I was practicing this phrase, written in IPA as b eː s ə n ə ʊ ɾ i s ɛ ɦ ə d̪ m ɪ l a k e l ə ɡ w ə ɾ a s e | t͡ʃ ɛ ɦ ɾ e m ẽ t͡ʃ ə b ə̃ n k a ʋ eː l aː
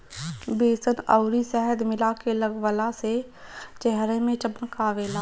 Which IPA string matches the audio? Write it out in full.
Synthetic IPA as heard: b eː s ə n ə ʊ ɾ i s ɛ ɦ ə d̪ m ɪ l a k e l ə ɡ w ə l a s e | t͡ʃ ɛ ɦ ɾ e m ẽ t͡ʃ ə b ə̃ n k a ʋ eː l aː